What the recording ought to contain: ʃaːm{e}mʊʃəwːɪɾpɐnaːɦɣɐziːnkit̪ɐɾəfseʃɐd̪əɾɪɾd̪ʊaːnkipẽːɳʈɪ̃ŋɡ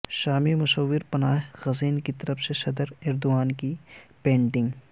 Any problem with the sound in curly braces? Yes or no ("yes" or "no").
yes